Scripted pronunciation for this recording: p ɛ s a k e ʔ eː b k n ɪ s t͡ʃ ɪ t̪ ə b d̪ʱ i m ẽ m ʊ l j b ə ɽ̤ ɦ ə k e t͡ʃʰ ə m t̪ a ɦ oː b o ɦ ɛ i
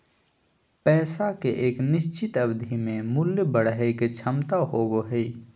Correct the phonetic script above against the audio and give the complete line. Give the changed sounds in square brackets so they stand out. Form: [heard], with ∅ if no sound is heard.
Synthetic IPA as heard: p [ɛː] s a k e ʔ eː [∅] k n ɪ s t͡ʃ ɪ t̪ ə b d̪ʱ i m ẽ m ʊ l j b ə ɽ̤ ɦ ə k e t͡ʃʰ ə m t̪ a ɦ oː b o ɦ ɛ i